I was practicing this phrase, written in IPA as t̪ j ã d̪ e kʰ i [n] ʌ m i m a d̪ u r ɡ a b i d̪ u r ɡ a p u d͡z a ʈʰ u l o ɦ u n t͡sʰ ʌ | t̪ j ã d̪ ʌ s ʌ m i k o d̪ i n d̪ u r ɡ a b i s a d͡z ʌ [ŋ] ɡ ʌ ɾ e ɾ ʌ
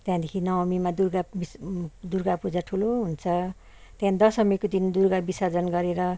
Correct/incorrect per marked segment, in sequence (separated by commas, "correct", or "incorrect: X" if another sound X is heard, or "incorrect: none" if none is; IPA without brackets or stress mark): correct, incorrect: n